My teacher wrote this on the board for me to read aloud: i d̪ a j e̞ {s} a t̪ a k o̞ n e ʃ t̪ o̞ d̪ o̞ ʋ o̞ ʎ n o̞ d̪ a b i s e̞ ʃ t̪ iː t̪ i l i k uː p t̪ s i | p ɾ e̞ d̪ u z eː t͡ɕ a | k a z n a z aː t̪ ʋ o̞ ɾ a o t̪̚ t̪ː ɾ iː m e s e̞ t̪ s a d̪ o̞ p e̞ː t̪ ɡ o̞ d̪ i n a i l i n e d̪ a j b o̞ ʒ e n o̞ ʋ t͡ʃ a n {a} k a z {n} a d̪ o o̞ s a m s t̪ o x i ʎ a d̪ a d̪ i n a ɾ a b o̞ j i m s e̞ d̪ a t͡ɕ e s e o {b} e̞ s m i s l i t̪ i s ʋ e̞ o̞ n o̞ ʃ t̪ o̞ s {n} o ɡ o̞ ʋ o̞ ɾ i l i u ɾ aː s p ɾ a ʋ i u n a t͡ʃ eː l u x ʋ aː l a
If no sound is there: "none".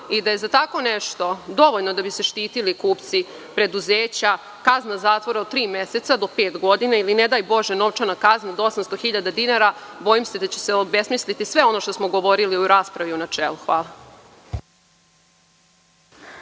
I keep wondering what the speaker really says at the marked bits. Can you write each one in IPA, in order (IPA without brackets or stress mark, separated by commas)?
z, a, n, b, m